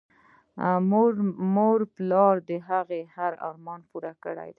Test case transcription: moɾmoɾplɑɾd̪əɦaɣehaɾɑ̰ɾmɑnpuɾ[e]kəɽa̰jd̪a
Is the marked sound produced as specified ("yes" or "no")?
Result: no